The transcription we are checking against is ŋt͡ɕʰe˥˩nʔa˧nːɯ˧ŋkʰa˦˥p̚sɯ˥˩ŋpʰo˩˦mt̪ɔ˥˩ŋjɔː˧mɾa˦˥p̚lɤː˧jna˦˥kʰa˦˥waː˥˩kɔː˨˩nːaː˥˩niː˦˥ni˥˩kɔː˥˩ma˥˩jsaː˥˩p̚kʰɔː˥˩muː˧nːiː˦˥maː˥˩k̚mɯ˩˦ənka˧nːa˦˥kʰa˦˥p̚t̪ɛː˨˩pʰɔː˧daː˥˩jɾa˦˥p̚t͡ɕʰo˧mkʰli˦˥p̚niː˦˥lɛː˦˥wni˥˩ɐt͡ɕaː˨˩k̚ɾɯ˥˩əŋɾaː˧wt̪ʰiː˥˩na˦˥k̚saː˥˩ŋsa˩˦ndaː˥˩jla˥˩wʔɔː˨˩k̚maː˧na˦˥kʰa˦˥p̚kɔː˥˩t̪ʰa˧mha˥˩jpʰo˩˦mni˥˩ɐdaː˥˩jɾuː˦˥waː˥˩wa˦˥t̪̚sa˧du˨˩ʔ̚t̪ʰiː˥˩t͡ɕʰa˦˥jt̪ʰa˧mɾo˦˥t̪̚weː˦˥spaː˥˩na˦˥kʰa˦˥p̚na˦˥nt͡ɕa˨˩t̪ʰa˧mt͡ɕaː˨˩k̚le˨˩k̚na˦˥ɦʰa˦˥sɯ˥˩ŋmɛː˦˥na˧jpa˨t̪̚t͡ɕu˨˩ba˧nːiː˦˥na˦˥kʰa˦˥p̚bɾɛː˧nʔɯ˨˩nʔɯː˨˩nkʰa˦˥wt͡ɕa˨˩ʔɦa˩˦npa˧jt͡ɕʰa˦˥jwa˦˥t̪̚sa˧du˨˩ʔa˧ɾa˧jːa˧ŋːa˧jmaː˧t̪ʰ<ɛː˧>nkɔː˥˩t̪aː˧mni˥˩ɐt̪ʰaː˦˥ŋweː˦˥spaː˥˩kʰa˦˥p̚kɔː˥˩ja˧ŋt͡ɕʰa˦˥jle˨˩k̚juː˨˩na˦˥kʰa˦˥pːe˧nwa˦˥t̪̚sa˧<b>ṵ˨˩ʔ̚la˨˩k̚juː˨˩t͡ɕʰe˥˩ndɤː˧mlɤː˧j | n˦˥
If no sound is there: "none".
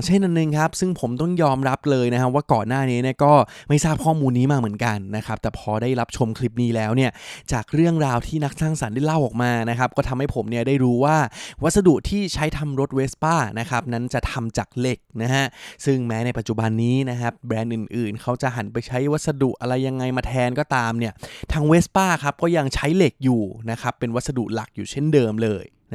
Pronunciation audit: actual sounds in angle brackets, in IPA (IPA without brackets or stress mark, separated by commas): ɛː˧, d